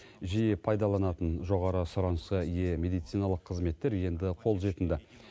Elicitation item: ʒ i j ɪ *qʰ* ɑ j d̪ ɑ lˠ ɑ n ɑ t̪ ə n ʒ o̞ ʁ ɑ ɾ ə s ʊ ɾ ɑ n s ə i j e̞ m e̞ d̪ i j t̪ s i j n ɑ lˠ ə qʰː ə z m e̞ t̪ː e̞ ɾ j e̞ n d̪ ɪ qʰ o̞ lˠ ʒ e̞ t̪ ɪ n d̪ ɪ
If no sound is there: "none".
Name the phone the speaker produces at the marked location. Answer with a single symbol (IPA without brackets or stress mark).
pʰ